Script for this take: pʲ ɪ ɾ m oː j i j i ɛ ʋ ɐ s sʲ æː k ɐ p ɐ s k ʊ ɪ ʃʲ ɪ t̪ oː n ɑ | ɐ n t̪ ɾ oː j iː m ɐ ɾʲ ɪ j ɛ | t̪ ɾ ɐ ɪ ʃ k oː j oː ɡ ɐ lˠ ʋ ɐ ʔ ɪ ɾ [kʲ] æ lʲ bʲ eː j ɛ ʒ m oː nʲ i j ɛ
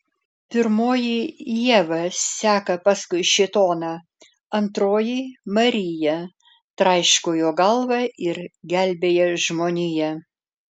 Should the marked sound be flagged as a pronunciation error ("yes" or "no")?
yes